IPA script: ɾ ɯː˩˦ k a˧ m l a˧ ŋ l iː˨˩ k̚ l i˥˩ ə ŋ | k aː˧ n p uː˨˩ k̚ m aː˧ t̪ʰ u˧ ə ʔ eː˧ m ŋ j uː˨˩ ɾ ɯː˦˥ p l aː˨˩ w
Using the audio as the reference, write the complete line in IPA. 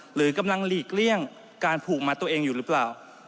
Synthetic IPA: ɾ ɯː˩˦ k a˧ m l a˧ ŋ l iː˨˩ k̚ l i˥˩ ə ŋ | k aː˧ n pʰ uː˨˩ k̚ m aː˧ t̪ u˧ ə ʔ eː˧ ŋ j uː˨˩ ɾ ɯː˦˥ p l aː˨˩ w